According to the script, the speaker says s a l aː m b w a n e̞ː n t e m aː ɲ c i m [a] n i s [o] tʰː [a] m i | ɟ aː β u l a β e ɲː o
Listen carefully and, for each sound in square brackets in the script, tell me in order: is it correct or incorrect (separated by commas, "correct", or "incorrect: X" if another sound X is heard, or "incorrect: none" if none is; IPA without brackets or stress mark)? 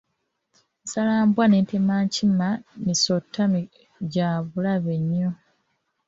correct, correct, correct